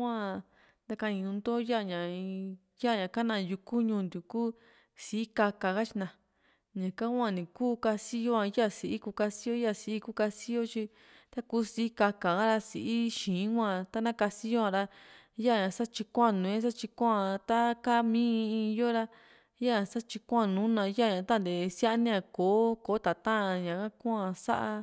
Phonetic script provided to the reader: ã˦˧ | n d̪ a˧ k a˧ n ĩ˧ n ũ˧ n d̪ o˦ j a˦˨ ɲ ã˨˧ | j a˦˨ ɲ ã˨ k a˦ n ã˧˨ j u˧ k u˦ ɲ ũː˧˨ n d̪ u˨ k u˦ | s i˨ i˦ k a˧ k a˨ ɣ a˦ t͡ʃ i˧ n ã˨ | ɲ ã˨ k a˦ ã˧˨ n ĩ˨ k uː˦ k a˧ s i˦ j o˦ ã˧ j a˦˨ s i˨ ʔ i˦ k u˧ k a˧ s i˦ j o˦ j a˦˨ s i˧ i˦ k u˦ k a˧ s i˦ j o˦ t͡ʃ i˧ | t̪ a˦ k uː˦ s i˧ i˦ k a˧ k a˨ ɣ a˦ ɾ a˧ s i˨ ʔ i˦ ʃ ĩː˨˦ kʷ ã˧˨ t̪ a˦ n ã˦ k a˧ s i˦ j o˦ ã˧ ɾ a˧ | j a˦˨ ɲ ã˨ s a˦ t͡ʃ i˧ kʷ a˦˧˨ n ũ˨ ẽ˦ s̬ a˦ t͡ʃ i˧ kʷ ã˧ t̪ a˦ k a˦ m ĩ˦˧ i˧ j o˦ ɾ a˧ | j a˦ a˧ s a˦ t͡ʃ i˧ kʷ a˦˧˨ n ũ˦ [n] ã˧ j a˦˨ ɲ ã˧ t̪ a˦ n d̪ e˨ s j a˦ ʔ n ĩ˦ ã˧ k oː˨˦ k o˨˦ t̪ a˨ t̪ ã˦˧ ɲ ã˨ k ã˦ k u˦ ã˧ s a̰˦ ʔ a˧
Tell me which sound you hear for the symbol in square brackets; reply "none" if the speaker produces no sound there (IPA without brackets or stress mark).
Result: n